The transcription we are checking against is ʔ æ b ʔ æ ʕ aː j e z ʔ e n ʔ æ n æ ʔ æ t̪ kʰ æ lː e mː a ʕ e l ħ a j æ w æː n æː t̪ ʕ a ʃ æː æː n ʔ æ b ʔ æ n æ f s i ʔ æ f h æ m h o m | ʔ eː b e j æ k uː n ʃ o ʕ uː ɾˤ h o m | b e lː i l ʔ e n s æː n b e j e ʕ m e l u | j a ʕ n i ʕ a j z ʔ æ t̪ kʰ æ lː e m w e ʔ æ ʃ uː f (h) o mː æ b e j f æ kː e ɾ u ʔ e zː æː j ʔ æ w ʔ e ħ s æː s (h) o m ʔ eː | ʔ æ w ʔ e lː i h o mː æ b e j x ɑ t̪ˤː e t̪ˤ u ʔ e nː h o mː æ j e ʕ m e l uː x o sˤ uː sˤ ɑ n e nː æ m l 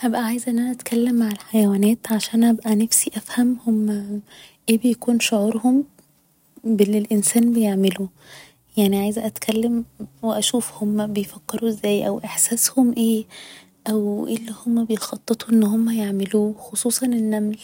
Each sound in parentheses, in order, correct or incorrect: correct, correct

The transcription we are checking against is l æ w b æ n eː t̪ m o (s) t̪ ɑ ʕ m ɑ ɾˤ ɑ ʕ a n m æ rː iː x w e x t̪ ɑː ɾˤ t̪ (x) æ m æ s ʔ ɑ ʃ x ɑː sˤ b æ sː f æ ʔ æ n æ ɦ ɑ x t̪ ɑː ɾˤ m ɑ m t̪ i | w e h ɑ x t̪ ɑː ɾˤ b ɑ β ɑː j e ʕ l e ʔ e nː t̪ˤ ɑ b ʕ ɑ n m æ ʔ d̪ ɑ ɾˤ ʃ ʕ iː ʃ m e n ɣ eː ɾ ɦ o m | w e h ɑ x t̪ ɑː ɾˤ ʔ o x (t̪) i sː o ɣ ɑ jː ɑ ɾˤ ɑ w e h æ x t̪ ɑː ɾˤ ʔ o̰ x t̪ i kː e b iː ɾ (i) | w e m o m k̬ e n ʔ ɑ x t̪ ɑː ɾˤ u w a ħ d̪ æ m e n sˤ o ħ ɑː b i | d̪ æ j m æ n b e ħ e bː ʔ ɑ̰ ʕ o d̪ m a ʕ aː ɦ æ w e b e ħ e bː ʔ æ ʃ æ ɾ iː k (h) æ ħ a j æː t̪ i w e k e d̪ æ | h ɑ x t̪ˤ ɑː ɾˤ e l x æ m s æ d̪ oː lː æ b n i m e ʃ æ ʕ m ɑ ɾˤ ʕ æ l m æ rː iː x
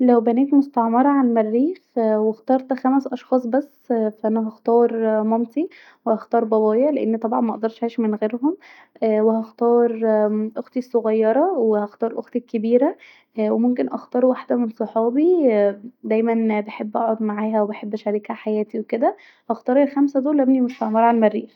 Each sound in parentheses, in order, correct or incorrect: correct, correct, correct, incorrect, correct

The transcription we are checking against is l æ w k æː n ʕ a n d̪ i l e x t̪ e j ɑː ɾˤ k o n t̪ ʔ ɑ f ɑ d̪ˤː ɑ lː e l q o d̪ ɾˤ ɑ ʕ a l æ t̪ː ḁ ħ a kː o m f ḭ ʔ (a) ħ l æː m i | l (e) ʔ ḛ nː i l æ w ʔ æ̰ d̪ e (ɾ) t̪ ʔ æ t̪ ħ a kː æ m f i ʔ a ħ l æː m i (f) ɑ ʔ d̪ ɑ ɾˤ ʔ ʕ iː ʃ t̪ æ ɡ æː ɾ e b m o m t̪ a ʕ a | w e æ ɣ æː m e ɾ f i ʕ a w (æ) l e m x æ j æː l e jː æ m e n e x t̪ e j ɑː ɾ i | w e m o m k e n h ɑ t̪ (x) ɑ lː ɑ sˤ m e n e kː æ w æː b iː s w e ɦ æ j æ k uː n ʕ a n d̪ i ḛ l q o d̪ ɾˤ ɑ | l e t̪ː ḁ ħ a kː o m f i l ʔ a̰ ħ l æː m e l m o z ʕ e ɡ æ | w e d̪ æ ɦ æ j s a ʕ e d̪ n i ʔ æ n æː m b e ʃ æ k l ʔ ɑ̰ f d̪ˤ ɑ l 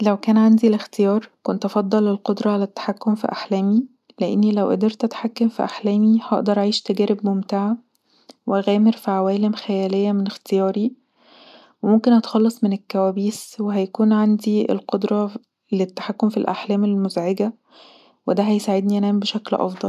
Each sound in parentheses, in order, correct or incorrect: correct, correct, correct, incorrect, incorrect, correct

